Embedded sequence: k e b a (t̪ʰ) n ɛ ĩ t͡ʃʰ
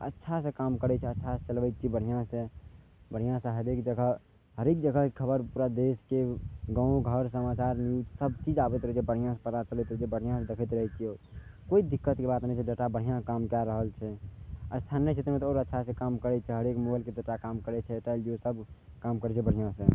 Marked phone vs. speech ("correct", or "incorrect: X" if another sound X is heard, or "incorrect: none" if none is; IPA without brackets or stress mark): incorrect: t̪